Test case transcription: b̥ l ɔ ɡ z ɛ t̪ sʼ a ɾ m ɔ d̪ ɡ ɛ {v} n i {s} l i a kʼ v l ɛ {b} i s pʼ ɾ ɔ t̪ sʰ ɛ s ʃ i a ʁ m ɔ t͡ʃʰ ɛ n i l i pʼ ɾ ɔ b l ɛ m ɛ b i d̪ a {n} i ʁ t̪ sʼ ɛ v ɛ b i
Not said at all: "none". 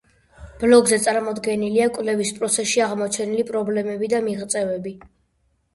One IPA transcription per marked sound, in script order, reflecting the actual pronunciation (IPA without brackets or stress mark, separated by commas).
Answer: none, none, v, m